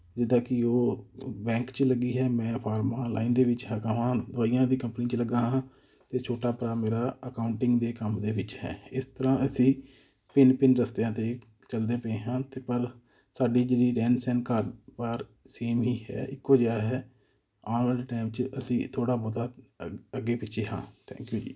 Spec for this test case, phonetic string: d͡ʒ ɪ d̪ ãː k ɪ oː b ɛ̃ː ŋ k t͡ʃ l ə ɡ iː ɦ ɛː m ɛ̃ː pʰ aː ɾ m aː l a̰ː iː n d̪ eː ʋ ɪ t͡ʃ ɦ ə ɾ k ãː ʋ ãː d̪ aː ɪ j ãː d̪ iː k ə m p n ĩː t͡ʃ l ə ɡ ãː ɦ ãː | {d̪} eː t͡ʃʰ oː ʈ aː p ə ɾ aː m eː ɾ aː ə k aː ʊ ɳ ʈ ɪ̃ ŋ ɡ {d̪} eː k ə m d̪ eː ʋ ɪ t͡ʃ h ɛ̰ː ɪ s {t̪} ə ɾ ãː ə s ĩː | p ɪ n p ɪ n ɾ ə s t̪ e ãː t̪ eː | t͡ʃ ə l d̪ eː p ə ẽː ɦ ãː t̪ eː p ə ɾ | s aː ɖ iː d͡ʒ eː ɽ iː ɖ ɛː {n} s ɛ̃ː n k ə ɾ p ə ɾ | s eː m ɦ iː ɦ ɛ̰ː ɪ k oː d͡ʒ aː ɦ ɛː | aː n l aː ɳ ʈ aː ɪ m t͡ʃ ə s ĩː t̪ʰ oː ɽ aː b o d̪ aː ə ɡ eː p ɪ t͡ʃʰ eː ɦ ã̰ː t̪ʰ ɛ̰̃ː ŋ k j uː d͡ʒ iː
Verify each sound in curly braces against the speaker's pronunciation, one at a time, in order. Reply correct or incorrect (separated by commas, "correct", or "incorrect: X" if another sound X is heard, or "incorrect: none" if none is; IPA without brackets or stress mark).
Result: incorrect: t̪, correct, correct, correct